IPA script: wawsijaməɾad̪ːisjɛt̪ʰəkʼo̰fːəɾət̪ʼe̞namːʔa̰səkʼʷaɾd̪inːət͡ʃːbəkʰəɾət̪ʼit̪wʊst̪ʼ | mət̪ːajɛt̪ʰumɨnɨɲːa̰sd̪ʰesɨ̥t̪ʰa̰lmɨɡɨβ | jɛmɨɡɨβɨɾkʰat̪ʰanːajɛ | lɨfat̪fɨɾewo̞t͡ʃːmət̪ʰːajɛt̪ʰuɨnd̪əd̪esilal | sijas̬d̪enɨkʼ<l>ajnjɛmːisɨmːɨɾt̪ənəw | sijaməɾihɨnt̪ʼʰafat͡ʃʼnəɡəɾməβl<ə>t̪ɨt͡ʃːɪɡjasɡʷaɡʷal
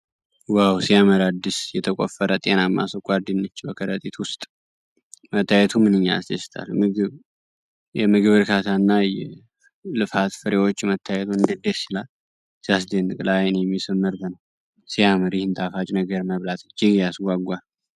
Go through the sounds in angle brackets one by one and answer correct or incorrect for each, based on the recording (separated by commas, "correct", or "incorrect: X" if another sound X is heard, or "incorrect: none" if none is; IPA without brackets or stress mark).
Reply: correct, incorrect: a